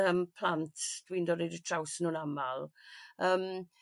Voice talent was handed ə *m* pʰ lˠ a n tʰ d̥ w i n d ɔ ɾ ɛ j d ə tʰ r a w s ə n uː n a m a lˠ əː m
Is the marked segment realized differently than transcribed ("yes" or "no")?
no